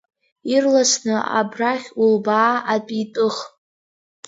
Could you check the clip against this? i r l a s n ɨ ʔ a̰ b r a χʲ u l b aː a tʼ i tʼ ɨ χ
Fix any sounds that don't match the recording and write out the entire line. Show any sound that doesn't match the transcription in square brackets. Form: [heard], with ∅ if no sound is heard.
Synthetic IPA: i r l a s n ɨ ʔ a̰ b r a χʲ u l b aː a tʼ i tʼ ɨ χ